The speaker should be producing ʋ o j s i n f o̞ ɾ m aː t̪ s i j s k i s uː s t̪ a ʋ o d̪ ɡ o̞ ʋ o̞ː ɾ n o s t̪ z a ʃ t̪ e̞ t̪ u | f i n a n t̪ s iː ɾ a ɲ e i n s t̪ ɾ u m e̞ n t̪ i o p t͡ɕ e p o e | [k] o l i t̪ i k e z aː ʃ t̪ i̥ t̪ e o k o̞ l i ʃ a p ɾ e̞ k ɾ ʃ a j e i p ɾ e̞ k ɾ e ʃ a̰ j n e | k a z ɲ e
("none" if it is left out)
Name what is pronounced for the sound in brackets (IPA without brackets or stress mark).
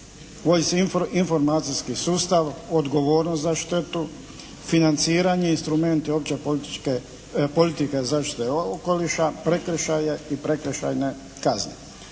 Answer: p